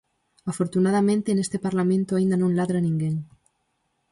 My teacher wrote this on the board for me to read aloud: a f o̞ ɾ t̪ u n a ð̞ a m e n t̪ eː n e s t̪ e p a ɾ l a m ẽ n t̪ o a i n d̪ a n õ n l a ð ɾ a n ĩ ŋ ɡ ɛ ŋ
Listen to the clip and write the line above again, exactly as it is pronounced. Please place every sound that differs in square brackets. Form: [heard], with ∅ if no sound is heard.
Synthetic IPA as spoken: a f o̞ ɾ t̪ u n a ð̞ a m [ẽ] n t̪ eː n e s t̪ e p a ɾ l a m ẽ n t̪ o a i n d̪ a n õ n l a ð ɾ a n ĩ ŋ ɡ [e] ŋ